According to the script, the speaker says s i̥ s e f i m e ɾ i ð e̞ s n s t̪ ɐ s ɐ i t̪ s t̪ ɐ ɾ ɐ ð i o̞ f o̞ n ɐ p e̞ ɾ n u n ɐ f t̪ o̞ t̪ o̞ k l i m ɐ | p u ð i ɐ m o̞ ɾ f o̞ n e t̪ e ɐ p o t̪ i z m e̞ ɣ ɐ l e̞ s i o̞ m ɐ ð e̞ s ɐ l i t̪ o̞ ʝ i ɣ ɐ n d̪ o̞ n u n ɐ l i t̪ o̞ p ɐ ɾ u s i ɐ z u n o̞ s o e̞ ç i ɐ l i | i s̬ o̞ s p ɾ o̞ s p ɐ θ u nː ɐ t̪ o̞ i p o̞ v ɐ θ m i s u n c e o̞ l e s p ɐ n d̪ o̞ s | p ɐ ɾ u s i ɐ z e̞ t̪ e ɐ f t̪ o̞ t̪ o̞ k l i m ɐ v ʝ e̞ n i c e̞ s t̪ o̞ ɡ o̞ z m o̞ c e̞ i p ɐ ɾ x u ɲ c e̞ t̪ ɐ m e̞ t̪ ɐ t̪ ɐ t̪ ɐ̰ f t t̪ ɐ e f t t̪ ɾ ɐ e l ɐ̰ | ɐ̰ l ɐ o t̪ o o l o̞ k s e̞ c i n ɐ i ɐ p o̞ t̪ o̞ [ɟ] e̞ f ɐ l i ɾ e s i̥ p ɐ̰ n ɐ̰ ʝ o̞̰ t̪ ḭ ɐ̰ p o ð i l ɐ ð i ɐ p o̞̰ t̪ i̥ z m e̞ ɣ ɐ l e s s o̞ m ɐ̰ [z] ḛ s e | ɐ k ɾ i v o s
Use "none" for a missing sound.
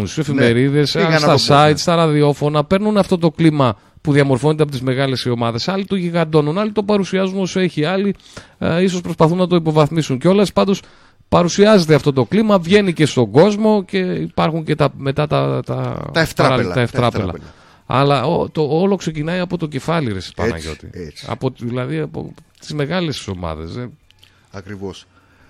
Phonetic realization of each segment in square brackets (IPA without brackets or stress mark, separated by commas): c, ð